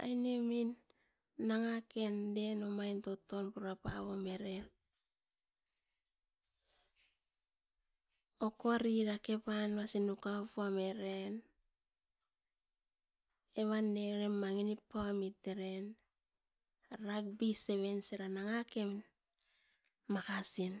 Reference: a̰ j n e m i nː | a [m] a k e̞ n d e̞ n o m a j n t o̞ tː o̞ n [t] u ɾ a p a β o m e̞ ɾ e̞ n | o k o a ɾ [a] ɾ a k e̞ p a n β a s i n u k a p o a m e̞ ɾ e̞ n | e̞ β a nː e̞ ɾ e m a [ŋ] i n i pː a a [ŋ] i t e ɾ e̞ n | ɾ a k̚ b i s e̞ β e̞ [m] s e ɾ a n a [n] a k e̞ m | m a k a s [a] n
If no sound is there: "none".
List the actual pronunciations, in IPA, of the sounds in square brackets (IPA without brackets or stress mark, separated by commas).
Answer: ŋ, p, i, ŋ, m, n, ŋ, i